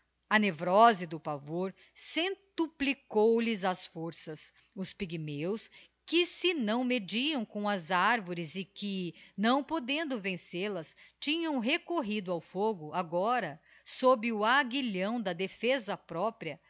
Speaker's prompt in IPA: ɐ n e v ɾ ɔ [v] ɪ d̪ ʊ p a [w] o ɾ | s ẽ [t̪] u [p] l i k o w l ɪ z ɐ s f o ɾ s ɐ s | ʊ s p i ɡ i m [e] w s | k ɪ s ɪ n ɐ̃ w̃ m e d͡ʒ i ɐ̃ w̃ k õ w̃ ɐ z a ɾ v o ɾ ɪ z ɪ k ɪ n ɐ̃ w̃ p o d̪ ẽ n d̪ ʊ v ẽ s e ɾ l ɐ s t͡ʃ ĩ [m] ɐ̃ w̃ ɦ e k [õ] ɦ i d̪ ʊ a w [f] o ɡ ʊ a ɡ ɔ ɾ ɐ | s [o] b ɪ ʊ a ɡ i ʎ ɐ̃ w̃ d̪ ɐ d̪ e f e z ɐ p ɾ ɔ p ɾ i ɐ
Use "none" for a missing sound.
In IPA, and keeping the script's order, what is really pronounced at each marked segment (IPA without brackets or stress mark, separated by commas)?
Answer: z, v, t̪, p, e, ɲ, o, f, o